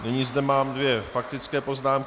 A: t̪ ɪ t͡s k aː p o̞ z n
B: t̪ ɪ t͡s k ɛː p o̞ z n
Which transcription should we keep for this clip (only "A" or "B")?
B